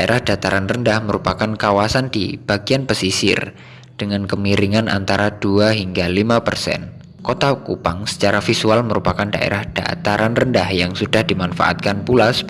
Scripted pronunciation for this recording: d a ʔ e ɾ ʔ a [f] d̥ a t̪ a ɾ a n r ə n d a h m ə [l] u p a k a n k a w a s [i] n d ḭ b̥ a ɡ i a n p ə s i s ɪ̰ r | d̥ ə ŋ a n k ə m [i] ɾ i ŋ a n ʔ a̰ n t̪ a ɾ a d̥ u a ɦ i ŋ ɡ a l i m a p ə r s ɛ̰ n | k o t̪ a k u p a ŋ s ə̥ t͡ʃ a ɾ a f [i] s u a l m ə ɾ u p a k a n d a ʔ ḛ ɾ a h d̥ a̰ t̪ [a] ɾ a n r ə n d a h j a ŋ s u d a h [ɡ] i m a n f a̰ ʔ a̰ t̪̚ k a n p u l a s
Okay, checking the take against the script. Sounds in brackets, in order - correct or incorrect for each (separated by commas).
incorrect, incorrect, incorrect, correct, correct, correct, incorrect